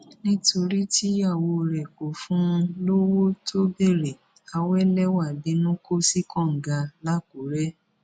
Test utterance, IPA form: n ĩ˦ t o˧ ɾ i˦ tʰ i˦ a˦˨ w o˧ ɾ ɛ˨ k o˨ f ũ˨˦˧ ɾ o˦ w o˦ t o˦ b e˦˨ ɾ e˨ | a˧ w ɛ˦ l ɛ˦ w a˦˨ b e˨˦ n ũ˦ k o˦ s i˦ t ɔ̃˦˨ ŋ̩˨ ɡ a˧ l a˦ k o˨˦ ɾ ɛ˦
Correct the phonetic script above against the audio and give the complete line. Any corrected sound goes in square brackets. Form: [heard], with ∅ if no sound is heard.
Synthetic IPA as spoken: n ĩ˦ t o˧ ɾ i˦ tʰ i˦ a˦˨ w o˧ ɾ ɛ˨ k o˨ f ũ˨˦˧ [l] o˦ w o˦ t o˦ b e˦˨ ɾ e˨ | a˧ w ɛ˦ l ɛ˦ w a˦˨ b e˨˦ n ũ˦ k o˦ s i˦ [k] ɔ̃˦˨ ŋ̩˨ ɡ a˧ l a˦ k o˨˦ ɾ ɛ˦